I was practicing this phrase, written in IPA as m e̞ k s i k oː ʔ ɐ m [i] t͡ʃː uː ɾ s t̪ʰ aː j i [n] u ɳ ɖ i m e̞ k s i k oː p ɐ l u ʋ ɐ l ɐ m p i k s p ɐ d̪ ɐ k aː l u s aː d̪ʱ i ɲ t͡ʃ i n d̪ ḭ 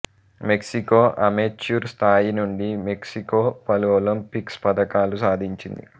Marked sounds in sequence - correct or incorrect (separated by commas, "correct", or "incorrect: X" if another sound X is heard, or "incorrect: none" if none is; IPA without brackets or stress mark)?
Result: incorrect: e, correct